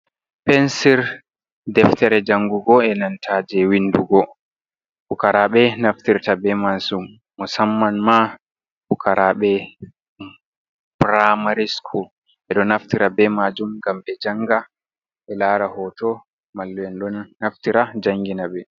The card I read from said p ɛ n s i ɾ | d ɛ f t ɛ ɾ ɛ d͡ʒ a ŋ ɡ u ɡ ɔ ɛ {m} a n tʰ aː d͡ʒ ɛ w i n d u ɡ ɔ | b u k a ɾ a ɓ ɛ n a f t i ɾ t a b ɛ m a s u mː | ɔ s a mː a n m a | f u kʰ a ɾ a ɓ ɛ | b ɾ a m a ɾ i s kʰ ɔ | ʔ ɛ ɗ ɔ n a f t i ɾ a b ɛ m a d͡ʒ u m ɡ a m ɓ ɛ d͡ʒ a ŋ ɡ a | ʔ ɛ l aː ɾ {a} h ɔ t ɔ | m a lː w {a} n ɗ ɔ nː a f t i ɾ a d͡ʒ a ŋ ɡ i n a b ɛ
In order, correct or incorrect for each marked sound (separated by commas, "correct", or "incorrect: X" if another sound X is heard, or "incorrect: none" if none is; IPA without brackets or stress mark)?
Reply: incorrect: n, correct, incorrect: ɛ